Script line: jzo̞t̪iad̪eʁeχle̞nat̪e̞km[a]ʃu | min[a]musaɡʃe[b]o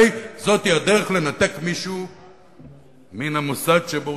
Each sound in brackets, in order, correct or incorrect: incorrect, correct, correct

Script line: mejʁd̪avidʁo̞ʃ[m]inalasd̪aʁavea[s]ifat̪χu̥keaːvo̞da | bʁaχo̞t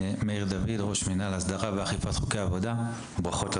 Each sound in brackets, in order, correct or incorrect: correct, incorrect

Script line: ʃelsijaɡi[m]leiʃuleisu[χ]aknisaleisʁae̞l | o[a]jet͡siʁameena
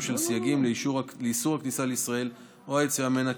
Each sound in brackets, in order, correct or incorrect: correct, incorrect, correct

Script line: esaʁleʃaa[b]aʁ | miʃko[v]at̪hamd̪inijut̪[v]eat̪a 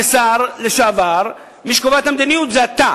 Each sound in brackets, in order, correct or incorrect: incorrect, correct, incorrect

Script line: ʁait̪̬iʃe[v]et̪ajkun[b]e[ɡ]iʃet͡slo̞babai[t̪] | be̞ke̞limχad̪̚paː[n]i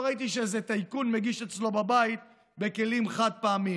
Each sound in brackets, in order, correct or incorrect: incorrect, incorrect, correct, correct, incorrect

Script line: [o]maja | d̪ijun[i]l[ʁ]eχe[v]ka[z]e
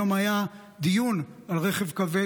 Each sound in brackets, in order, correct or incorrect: correct, incorrect, correct, correct, incorrect

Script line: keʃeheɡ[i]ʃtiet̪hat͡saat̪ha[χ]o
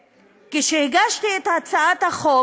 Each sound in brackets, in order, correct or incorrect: incorrect, correct

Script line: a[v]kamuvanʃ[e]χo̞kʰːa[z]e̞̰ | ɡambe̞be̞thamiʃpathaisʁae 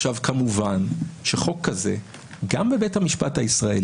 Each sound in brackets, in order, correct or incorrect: correct, correct, correct

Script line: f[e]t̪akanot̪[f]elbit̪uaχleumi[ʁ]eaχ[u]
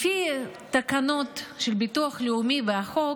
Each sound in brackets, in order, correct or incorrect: incorrect, incorrect, incorrect, incorrect

